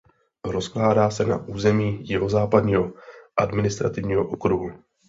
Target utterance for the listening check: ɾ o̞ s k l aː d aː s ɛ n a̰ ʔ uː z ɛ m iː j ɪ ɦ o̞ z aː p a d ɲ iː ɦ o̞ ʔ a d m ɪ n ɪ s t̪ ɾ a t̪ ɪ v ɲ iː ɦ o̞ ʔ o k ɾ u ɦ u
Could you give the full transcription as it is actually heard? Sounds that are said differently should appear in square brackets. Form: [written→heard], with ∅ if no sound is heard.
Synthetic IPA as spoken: ɾ o̞ s k l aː d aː s ɛ n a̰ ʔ uː z ɛ m iː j ɪ ɦ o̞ z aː p a d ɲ iː ɦ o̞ ʔ a d m ɪ n ɪ s t̪ ɾ a t̪ ɪ v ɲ iː ɦ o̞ ʔ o k ɾ u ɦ u